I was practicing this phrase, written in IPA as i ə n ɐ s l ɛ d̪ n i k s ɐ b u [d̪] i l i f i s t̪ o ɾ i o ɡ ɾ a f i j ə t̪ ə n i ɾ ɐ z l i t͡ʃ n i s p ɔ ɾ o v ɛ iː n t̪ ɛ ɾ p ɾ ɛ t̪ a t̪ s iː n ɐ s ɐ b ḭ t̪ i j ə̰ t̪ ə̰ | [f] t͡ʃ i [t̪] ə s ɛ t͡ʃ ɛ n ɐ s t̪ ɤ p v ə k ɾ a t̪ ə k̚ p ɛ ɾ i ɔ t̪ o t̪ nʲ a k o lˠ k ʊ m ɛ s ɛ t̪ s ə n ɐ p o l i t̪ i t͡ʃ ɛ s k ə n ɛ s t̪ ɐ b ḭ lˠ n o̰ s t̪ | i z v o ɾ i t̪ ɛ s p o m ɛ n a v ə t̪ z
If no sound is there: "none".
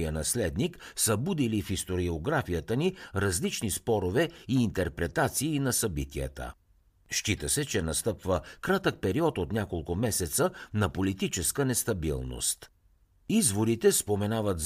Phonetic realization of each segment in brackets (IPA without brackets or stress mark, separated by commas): d̪, ʃ, t̪